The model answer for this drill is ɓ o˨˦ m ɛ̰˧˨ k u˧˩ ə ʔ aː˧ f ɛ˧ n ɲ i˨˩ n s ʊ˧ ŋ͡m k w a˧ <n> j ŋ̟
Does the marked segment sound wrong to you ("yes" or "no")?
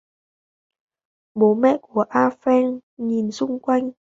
yes